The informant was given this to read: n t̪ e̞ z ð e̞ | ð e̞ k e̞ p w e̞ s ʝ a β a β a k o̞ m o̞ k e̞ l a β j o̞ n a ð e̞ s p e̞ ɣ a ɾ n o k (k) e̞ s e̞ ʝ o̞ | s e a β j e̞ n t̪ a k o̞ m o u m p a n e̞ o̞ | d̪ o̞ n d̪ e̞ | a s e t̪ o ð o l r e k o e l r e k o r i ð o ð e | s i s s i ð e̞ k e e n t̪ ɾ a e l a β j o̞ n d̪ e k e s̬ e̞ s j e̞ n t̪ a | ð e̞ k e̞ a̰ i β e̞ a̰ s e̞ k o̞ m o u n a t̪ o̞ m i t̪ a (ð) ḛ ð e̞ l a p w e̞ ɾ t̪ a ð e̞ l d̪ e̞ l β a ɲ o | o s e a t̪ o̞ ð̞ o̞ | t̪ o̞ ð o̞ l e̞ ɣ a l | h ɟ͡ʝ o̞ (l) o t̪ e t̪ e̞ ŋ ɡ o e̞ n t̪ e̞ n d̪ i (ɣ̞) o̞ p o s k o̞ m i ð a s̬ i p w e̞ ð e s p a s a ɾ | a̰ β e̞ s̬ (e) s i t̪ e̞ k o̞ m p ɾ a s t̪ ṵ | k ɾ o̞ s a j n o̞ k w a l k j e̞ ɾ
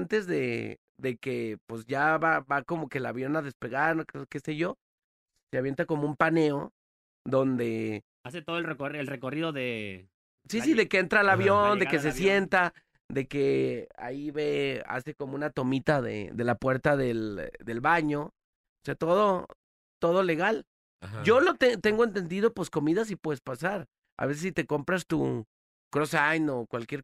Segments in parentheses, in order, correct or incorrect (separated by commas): correct, correct, correct, incorrect, correct